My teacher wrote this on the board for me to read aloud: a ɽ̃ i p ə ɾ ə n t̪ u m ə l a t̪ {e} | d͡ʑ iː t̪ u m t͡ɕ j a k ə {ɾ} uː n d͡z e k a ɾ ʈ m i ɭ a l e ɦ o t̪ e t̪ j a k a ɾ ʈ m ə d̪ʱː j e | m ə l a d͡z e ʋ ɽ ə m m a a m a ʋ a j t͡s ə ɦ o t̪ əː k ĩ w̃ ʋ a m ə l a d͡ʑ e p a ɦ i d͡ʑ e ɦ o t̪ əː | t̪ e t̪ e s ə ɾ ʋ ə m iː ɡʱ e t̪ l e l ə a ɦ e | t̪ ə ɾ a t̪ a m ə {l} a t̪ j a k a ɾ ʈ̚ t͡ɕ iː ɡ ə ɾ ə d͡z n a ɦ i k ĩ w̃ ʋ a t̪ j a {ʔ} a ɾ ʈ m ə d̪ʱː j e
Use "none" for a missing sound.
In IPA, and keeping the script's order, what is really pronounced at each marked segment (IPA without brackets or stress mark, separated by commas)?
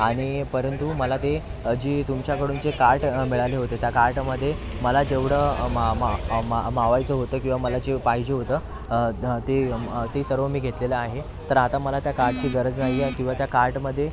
e, ɽ, l, k